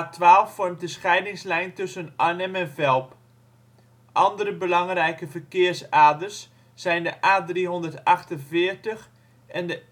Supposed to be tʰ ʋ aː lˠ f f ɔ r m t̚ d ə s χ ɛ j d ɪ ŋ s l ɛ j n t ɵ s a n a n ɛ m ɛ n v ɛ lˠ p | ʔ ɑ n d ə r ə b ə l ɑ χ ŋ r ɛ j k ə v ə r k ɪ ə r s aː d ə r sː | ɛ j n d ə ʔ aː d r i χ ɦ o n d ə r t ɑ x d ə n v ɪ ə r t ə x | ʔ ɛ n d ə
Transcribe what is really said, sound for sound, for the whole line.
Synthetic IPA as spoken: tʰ ʋ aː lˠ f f ɔ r m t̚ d ə s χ ɛ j d ɪ ŋ s l ɛ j n t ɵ s ə n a n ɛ m ɛ n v ɛ lˠ p | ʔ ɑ n d ə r ə b ə l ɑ ŋ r ɛ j k ə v ə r k ɪ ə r s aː d ə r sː | ɛ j n d ə ʔ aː d r i ɦ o n d ə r t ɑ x t ə n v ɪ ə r t ə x | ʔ ɛ n d ə